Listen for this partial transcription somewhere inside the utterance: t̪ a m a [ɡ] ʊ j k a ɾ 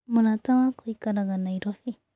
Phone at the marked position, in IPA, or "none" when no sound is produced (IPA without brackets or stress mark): k